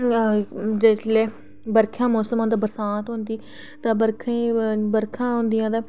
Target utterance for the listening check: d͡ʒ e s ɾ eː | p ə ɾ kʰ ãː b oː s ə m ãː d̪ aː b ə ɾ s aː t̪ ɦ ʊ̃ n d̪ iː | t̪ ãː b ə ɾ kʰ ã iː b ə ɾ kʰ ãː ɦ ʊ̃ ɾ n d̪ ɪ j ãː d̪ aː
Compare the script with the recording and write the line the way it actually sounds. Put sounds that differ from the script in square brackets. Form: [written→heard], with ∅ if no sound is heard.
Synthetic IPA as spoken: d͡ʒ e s [ɾ→l] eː | [p→b] ə ɾ kʰ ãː [b→m] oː s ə m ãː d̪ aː b ə ɾ s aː t̪ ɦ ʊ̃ n d̪ iː | t̪ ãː b ə ɾ kʰ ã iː b ə ɾ kʰ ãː ɦ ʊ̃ [ɾ→∅] n d̪ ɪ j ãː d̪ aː

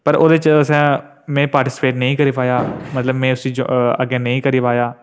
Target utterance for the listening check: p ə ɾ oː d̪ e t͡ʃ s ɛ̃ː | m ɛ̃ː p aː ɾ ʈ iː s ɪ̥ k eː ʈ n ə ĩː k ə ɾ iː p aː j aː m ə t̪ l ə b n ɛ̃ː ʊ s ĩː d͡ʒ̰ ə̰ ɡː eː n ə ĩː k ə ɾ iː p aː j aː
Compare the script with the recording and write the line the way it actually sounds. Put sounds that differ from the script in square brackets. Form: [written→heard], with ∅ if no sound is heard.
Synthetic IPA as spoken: p ə ɾ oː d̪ e t͡ʃ s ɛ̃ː | m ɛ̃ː p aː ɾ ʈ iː s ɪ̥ [k→p] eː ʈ n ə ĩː k ə ɾ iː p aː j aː m ə t̪ l ə b [n→m] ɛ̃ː ʊ s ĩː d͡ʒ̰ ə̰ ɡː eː n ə ĩː k ə ɾ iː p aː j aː

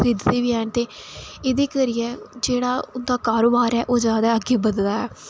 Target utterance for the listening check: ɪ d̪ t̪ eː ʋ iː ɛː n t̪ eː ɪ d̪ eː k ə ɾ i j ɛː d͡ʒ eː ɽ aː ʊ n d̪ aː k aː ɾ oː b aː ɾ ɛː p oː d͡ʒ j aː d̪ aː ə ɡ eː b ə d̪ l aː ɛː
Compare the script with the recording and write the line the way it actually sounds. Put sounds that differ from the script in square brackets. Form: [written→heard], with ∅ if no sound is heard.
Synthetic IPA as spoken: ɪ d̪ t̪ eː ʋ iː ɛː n t̪ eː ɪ d̪ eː k ə ɾ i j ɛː d͡ʒ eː ɽ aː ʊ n d̪ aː k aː ɾ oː b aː ɾ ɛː [p→ʔ] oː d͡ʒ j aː d̪ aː ə ɡ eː b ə d̪ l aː ɛː

